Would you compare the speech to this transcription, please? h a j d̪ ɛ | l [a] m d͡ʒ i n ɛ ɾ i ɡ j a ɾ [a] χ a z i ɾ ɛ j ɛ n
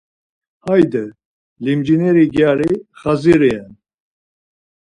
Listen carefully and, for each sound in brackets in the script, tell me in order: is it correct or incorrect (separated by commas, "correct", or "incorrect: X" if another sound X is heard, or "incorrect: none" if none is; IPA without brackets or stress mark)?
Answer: incorrect: i, incorrect: i